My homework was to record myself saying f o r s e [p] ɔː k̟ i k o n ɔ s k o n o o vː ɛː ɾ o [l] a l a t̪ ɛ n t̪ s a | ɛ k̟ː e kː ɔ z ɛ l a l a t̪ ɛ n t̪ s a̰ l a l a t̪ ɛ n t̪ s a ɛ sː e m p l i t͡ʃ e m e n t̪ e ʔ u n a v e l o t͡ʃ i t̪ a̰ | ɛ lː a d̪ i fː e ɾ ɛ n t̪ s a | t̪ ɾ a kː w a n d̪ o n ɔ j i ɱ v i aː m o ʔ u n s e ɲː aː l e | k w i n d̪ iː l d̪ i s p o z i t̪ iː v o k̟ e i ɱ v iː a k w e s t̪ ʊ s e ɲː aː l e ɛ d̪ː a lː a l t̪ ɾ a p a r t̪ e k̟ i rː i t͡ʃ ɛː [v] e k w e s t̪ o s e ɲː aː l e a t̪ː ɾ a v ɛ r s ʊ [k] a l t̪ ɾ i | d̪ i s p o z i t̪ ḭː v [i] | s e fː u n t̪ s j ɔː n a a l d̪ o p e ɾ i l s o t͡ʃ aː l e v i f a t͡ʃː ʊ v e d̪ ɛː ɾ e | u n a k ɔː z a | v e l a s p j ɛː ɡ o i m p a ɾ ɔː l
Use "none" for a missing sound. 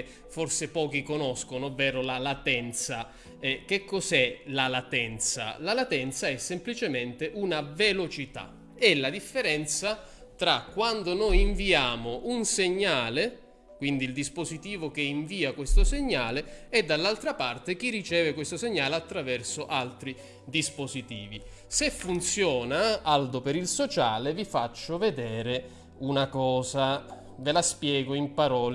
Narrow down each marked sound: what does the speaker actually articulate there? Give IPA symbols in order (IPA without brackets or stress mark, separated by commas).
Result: p, l, v, ʔ, i